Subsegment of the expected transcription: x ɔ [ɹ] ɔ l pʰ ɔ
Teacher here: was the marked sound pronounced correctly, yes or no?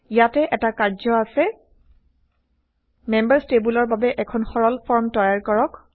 yes